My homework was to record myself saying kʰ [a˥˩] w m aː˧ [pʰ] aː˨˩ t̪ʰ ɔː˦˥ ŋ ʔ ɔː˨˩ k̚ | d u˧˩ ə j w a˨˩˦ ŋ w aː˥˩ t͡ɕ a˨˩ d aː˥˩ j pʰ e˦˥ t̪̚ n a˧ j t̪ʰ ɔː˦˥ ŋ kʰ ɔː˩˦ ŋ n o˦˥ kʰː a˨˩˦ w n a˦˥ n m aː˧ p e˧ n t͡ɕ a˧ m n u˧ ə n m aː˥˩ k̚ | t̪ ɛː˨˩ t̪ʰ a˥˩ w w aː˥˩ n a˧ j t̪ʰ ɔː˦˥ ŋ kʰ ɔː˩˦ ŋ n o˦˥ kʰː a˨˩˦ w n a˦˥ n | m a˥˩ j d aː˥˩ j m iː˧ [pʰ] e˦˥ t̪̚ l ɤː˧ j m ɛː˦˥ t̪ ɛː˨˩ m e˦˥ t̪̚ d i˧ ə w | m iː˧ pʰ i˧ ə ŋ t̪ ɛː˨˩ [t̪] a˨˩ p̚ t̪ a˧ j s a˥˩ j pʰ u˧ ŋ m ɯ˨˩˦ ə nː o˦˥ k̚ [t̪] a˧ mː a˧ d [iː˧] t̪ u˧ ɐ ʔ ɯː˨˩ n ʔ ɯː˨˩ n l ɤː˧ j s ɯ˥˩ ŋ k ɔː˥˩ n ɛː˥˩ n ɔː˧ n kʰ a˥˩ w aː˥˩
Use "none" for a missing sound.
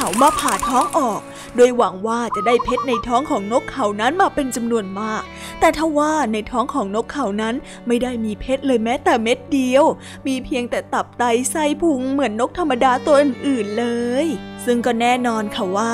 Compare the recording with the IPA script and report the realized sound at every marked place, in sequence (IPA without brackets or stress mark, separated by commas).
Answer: a˩˦, pʰ, pʰ, t̪, t̪ʰ, aː˧